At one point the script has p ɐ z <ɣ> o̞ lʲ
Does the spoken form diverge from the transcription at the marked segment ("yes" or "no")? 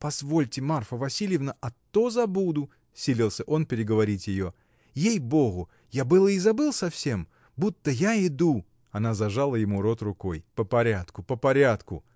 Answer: yes